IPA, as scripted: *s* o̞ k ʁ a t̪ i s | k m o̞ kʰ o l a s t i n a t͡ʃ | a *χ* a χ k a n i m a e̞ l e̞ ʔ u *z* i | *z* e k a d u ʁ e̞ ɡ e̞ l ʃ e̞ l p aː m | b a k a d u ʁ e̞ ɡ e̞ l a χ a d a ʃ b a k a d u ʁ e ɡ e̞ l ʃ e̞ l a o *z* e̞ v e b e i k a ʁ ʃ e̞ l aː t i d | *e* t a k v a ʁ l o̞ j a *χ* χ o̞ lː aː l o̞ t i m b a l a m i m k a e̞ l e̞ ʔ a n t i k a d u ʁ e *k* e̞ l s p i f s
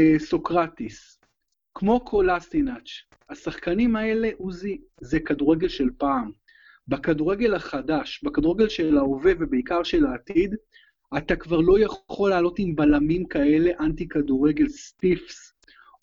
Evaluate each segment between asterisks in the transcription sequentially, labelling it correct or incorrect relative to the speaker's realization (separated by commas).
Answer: correct, incorrect, correct, correct, incorrect, incorrect, correct, incorrect